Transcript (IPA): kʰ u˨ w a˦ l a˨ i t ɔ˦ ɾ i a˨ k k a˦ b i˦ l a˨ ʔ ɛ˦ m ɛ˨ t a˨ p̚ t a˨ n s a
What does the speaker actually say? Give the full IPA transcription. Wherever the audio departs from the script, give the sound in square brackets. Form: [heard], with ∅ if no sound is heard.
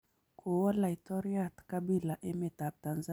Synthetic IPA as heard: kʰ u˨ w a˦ l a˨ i t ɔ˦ ɾ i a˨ [t] k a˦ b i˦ l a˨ ʔ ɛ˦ m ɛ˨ t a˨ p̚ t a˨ n [z] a